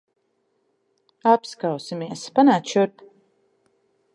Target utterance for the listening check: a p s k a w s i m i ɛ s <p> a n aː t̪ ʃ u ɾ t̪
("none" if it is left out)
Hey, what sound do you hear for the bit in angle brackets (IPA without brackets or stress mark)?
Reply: p